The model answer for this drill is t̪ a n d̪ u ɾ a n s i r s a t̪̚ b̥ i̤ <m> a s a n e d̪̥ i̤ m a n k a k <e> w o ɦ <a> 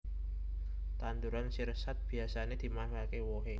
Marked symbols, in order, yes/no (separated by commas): no, yes, no